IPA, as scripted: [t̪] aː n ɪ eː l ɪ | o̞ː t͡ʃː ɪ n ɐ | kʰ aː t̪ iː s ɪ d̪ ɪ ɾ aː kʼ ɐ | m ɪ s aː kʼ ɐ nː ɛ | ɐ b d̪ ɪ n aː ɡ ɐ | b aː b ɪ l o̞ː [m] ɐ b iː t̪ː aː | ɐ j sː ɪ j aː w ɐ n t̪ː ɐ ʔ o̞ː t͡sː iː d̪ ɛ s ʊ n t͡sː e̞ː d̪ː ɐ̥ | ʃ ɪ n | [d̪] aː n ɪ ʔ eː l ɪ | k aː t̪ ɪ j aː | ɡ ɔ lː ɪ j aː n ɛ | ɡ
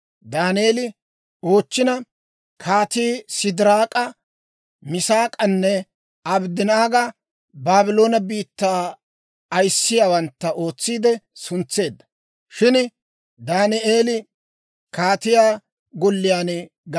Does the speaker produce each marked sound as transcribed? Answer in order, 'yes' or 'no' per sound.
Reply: no, no, yes

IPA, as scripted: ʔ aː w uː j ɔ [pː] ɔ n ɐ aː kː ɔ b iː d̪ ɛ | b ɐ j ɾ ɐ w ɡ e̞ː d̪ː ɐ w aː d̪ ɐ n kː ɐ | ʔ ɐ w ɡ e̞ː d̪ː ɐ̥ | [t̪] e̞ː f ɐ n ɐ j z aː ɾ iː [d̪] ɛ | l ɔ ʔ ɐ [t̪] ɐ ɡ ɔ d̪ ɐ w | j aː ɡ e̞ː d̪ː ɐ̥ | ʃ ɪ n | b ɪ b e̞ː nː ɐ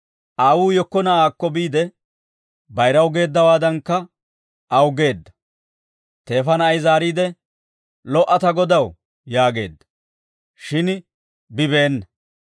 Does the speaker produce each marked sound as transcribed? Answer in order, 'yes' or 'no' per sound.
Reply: no, yes, yes, yes

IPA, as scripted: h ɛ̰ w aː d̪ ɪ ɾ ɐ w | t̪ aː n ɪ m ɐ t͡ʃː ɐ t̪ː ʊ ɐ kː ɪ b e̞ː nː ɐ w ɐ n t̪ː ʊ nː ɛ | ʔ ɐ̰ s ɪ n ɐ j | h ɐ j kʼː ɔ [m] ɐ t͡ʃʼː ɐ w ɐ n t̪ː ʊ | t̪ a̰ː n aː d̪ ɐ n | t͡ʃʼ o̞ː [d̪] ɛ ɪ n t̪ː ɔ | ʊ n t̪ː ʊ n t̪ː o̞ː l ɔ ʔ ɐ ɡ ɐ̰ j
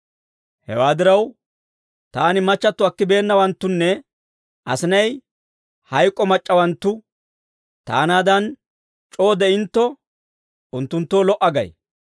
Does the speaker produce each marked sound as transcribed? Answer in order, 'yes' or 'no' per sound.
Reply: yes, yes

